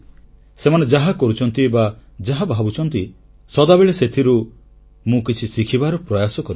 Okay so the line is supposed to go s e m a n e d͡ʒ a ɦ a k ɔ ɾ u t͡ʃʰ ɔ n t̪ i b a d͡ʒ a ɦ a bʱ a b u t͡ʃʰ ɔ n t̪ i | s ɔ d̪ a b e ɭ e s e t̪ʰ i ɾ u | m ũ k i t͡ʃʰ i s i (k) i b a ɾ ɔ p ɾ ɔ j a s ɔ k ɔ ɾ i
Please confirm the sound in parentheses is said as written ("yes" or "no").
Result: no